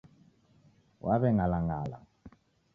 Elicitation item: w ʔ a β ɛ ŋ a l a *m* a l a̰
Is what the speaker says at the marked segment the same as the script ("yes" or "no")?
no